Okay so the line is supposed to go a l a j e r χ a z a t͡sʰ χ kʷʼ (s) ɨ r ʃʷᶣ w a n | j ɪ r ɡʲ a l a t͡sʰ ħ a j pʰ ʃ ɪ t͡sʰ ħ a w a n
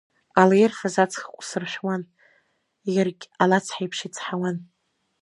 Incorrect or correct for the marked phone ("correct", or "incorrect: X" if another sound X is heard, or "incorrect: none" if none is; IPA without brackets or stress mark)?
correct